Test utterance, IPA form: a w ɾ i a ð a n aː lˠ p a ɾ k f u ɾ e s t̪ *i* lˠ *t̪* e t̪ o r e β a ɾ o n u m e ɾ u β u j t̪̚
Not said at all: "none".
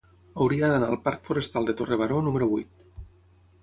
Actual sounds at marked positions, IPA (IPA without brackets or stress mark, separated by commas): a, d̪